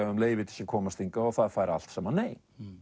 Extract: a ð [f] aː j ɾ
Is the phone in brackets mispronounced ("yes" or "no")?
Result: no